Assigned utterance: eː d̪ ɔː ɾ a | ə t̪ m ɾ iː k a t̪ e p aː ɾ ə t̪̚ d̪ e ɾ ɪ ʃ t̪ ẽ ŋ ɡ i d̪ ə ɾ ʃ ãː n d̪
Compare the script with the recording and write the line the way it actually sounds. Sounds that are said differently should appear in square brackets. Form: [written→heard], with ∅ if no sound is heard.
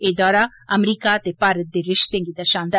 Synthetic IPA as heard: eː d̪ ɔː ɾ a | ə [t̪→∅] m ɾ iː k a t̪ e p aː ɾ ə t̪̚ d̪ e ɾ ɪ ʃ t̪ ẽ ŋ ɡ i d̪ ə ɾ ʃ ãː n d̪